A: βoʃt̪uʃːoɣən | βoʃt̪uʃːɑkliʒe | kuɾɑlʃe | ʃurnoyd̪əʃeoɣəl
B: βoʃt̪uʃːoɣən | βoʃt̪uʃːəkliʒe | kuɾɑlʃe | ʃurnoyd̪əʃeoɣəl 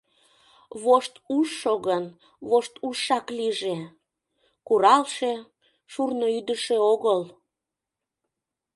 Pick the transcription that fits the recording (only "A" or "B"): A